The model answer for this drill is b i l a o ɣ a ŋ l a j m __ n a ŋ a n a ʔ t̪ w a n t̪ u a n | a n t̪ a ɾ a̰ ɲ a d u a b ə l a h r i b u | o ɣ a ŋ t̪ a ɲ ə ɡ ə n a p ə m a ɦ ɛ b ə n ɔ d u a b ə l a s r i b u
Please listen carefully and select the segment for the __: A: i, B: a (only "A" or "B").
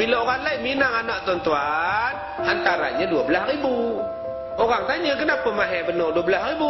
A